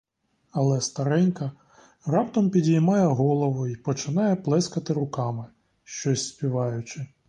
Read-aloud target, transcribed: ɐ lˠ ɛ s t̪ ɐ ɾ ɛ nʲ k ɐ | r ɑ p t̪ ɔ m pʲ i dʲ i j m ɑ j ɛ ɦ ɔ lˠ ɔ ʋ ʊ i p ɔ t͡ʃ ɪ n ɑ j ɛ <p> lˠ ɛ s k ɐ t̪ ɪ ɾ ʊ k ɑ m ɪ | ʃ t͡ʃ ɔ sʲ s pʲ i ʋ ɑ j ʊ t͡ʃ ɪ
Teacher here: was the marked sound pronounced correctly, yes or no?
yes